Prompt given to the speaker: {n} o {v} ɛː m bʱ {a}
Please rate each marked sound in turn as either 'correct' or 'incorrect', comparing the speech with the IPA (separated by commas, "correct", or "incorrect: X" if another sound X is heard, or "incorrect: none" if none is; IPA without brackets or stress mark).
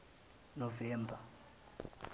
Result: correct, correct, correct